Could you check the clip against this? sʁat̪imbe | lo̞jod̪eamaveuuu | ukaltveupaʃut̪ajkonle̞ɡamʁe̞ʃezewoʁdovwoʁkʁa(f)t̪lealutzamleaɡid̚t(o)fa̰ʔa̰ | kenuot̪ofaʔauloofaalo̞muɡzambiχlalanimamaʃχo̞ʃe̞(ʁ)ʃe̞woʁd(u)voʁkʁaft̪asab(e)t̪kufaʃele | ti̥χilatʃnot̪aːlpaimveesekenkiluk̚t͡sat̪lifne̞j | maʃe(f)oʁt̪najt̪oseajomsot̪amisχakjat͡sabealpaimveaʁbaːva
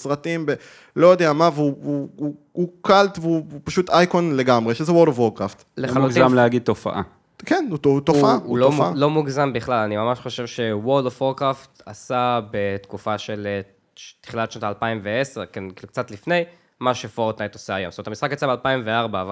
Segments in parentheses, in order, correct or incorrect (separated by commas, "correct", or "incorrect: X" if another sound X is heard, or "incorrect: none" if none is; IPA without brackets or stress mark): correct, correct, incorrect: v, incorrect: o, correct, correct